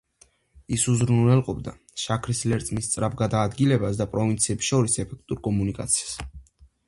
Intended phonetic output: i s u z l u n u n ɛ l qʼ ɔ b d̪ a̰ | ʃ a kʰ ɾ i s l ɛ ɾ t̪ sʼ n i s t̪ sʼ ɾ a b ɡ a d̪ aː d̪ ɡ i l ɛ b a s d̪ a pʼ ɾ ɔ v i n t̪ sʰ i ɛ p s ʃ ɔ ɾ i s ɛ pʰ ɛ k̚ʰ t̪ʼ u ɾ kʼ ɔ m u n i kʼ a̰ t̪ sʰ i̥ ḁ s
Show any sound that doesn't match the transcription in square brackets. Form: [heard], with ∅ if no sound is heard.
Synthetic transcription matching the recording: i s u z [ɾ] u n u n ɛ l qʼ ɔ b d̪ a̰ | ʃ a kʰ ɾ i s l ɛ ɾ t̪ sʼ [m] i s t̪ sʼ ɾ a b ɡ a d̪ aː d̪ ɡ i l ɛ b a s d̪ a pʼ ɾ ɔ v i n t̪ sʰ i ɛ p s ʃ ɔ ɾ i s ɛ pʰ ɛ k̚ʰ t̪ʼ u ɾ kʼ ɔ m u n i kʼ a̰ t̪ sʰ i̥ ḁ s